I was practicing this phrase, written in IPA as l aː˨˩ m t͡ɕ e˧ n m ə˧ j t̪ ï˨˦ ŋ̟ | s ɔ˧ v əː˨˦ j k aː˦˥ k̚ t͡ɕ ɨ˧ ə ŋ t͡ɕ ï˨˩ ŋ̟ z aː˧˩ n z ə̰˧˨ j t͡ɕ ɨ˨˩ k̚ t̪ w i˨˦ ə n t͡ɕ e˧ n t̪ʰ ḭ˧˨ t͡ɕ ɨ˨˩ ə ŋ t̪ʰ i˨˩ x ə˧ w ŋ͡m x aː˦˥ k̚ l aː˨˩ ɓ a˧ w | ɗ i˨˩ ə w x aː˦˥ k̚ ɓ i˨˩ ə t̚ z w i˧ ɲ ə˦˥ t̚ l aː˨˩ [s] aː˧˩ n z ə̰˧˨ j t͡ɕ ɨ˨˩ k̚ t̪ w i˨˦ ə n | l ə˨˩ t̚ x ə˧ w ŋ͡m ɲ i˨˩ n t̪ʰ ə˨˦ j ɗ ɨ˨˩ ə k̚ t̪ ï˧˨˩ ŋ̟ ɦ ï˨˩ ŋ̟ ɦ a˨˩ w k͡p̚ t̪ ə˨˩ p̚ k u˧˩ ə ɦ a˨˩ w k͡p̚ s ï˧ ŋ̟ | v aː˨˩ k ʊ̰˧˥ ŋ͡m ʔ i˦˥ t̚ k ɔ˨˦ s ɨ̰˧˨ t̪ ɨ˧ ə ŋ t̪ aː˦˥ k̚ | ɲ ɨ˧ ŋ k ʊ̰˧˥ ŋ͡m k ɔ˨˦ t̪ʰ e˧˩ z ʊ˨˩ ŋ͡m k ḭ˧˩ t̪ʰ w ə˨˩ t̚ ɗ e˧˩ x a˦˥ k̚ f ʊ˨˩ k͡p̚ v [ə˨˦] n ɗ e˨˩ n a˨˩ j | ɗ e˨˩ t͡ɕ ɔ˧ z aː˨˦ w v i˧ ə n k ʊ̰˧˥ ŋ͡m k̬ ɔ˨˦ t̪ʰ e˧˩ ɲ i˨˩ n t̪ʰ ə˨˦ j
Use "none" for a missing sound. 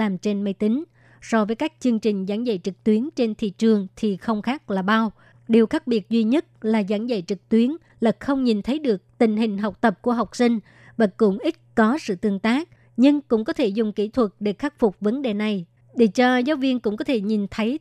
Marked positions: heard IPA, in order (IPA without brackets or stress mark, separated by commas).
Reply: z, ə˨˦